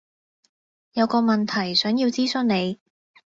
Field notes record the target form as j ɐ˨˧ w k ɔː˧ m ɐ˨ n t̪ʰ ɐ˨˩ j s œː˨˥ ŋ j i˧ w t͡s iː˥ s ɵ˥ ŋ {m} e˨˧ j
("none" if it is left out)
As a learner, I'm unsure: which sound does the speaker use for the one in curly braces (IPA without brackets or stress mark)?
n